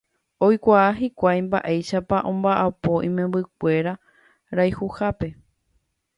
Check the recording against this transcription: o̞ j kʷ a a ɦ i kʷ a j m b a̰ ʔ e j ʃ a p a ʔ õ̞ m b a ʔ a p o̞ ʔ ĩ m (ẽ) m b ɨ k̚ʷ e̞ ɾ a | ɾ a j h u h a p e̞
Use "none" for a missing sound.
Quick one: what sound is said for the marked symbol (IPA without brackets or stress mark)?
ẽ